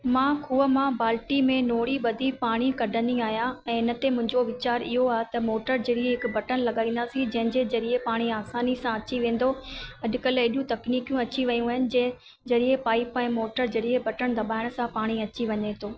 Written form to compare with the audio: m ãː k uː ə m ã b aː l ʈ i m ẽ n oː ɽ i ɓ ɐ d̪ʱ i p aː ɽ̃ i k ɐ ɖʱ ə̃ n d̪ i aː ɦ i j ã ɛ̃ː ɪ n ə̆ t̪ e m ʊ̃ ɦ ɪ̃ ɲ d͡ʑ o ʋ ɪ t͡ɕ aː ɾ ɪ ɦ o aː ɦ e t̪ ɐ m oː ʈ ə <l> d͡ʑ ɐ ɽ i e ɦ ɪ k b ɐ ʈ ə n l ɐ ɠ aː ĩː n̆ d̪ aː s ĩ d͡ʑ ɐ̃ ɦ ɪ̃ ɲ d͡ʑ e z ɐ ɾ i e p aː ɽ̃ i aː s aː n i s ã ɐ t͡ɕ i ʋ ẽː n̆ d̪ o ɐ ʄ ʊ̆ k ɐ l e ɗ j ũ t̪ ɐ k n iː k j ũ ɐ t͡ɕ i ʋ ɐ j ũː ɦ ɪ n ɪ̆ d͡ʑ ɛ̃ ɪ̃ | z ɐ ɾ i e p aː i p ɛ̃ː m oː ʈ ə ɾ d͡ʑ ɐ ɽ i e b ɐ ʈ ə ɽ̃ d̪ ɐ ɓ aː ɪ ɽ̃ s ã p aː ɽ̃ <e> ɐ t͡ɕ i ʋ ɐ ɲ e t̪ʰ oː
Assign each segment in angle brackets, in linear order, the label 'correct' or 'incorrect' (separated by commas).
incorrect, incorrect